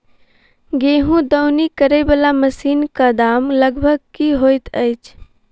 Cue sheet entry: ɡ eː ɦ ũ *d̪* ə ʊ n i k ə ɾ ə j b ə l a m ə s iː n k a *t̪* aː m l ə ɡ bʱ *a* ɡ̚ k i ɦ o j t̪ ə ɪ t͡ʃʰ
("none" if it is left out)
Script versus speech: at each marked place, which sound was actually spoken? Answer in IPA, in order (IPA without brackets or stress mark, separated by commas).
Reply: d̪, d̪, ə